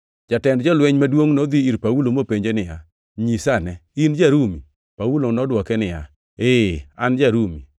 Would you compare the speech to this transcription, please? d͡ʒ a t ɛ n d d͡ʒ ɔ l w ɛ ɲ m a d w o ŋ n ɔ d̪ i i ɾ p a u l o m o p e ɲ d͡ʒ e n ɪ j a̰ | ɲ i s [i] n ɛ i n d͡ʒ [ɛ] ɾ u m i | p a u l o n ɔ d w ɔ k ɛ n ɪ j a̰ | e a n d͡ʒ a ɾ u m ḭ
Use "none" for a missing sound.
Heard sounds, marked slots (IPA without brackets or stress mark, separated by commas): a, a